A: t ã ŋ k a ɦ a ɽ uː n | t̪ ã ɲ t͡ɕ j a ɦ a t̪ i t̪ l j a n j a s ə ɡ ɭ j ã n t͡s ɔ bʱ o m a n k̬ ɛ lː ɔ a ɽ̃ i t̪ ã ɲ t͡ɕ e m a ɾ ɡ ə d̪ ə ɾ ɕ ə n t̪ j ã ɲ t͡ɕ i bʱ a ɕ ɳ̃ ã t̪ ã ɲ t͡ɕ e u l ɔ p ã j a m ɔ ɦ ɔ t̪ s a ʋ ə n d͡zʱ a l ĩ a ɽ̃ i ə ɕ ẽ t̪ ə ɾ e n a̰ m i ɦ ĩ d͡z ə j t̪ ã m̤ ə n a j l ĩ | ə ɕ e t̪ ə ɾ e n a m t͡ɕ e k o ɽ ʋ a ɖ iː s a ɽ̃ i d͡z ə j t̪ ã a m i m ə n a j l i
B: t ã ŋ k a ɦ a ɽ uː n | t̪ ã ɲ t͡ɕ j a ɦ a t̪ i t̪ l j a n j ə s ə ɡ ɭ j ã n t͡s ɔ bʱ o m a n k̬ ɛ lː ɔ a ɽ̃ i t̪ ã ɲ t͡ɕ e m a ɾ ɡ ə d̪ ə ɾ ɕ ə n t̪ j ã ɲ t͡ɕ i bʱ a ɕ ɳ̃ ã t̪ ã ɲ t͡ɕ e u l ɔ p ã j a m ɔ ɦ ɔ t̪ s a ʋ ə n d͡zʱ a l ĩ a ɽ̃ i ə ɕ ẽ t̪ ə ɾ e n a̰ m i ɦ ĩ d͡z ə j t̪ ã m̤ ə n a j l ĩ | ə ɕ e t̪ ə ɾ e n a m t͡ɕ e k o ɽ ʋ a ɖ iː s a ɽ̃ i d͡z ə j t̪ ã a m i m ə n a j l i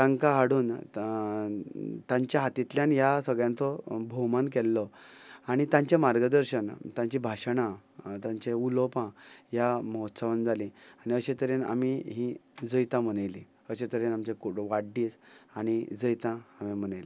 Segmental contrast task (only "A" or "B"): A